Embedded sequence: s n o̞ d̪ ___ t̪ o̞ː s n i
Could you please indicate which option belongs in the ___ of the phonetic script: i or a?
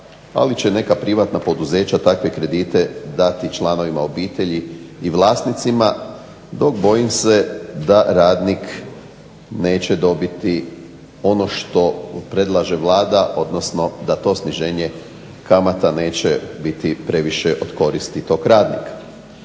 a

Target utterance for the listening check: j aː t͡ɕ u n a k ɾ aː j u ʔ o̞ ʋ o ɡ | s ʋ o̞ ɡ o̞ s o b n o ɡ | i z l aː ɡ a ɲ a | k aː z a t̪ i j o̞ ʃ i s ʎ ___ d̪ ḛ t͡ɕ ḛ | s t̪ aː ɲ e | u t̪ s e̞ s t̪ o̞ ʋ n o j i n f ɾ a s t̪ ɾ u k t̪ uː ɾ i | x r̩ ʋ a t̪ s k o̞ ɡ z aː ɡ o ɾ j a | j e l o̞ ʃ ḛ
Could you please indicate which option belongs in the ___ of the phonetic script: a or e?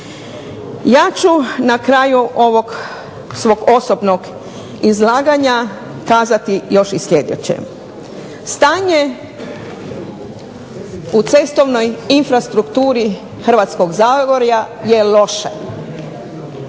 e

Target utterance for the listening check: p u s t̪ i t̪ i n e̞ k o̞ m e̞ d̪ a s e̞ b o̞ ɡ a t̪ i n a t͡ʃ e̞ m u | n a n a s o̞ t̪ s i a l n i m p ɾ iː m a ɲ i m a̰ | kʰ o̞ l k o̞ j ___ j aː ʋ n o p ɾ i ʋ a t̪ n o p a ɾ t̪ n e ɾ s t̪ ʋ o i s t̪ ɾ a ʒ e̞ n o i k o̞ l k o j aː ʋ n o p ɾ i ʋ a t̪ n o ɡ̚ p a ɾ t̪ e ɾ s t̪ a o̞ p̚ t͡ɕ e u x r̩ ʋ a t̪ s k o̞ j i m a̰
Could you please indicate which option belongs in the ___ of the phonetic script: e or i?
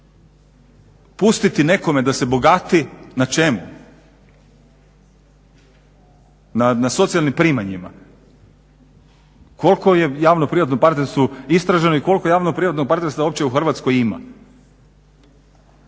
e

